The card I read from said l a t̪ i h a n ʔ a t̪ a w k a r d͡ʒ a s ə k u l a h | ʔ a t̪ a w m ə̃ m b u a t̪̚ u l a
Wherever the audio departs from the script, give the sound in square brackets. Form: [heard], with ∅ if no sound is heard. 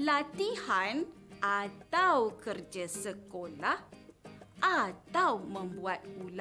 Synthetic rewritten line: l a t̪ i h a n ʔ a t̪ a w k [ə] r d͡ʒ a s ə k [o] l a h | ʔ a t̪ a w m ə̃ m b u a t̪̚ u l a